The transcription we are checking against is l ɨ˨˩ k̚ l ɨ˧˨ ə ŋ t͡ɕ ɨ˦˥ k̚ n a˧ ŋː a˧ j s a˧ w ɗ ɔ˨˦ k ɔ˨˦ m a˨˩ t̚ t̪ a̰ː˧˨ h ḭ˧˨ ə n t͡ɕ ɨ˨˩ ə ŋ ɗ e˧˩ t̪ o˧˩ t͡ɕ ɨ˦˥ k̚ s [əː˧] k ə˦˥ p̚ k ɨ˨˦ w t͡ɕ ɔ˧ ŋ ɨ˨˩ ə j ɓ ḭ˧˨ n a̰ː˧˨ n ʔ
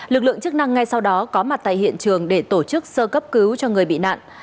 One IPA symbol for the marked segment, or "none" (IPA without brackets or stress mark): əː˧